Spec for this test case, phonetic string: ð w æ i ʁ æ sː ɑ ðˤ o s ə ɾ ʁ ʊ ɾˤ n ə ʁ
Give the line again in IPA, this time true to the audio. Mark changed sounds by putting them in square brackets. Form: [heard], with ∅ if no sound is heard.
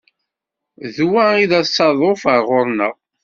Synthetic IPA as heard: ð w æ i [ð] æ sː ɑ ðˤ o [f] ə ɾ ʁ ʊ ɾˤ n ə ʁ